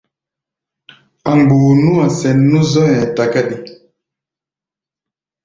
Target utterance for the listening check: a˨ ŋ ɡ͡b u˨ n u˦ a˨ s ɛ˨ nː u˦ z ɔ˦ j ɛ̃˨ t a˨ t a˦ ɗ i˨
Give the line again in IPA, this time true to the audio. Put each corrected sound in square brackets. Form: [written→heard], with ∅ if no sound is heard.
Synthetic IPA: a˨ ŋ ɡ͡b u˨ n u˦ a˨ s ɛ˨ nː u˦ z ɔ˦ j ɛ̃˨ t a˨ [t→k] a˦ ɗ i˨